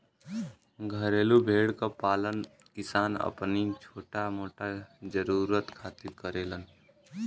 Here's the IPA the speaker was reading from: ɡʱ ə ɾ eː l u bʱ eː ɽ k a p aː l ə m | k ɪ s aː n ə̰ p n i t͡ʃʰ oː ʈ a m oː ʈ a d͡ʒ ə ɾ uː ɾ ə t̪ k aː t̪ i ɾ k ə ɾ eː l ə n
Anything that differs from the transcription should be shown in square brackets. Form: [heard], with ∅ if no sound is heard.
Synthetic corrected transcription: ɡʱ ə ɾ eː l u bʱ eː ɽ k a p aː l ə [n] | k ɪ s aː n ə̰ p n i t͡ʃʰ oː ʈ a m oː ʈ a d͡ʒ ə ɾ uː ɾ ə t̪ [kʰ] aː t̪ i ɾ k ə ɾ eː l ə n